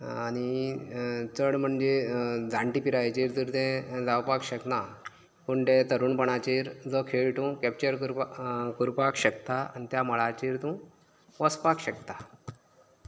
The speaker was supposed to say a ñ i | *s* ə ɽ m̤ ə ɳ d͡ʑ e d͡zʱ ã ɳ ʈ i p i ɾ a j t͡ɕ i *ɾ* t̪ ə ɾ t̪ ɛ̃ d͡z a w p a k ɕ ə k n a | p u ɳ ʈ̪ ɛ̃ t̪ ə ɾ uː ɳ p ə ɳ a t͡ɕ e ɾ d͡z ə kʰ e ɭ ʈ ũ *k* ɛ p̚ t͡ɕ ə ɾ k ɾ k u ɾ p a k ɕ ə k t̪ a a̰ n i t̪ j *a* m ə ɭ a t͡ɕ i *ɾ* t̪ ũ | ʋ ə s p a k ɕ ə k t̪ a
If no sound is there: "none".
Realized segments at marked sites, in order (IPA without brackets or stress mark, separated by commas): t͡s, ɾ, k, a, ɾ